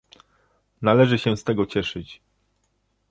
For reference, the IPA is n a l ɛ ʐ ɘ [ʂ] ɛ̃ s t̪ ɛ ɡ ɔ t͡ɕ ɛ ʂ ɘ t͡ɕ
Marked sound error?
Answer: yes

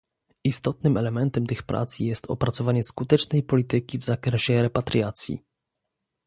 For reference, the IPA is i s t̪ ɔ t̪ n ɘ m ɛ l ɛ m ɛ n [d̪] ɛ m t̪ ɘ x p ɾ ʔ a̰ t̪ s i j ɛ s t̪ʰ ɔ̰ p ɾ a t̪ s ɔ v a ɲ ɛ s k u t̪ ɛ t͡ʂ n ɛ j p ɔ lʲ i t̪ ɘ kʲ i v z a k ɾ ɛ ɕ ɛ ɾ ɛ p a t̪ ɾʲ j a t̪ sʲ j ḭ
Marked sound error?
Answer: yes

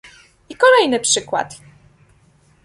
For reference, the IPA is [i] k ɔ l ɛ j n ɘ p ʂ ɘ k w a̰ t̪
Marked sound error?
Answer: no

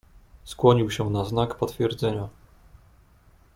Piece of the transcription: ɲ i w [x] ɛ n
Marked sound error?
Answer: yes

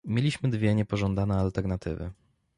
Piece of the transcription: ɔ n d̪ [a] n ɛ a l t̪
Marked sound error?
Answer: no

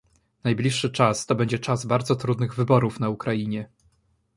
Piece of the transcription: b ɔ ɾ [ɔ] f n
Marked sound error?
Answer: yes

